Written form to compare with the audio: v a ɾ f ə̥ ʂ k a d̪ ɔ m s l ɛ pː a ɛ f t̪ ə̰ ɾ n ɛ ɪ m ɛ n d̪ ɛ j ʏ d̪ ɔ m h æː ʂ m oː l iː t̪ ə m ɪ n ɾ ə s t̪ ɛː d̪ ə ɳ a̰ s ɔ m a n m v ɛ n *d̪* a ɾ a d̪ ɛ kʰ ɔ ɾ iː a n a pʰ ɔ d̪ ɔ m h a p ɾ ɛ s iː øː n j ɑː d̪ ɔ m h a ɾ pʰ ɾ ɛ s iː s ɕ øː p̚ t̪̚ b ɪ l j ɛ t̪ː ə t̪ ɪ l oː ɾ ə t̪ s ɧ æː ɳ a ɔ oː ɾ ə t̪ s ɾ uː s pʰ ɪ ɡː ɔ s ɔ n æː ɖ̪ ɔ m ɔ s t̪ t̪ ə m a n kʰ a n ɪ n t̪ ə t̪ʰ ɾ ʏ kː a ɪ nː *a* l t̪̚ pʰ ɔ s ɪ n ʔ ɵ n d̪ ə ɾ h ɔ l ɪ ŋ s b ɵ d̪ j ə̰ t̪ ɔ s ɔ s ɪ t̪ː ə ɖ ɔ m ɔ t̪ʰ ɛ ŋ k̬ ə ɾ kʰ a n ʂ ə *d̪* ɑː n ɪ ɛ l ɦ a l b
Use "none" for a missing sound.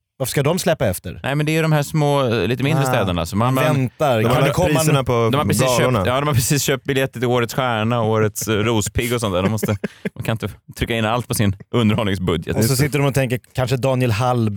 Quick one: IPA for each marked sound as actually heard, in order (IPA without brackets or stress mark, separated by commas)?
t̪, a, d̪